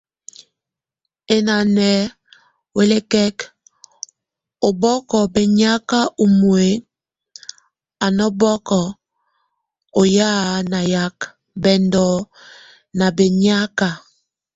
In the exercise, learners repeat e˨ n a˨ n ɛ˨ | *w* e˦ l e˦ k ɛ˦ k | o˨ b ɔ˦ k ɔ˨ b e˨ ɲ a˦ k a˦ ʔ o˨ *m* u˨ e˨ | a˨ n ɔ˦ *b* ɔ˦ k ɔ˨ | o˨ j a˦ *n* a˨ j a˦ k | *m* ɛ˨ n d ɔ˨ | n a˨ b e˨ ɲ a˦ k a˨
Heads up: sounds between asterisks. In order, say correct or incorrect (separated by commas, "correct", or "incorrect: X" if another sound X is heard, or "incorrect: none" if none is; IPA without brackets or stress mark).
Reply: correct, correct, correct, correct, incorrect: b